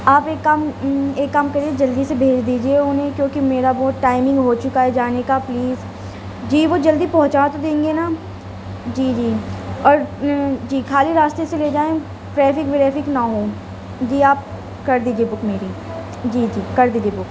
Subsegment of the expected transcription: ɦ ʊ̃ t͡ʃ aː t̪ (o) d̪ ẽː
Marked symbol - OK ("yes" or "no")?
yes